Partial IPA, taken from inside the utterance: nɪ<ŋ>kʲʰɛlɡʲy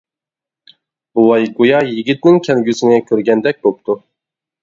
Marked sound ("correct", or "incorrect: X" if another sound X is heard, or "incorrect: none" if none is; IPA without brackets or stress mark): correct